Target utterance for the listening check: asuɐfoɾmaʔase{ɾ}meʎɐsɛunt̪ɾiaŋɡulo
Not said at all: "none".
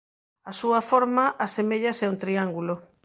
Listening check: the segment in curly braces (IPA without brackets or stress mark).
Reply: none